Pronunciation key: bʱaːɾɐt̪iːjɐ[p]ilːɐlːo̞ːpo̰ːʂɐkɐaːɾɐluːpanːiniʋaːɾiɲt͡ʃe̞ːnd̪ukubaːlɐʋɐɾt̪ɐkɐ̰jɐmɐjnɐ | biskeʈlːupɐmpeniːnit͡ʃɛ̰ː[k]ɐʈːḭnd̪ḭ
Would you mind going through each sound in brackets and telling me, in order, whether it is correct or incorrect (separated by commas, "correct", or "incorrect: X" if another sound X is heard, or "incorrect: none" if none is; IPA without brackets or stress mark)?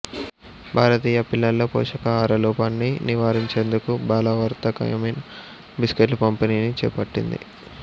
correct, incorrect: p